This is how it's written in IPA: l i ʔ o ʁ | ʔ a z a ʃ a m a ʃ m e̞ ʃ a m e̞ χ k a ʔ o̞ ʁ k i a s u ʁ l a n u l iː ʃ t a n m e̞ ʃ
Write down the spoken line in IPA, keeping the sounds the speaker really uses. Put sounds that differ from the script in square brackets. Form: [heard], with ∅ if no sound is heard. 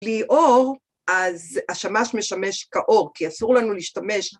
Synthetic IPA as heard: l i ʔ o ʁ | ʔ a z a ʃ a m a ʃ m e̞ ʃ a m e̞ [ʃ] k a ʔ o̞ ʁ k i a s u ʁ l a n u l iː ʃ t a [∅] m e̞ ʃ